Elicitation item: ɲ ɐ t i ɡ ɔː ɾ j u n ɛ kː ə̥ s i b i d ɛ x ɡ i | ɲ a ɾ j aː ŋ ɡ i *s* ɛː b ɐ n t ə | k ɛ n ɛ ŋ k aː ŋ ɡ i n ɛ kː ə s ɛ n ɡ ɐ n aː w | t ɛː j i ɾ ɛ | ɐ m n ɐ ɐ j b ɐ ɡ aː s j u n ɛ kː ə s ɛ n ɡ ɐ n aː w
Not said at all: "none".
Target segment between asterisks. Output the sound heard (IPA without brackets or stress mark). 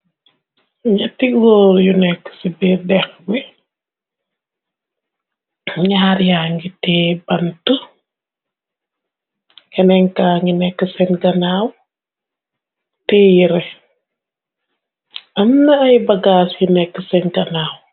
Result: t